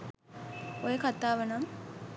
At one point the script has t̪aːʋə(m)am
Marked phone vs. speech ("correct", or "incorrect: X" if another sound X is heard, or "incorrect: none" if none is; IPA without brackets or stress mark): incorrect: n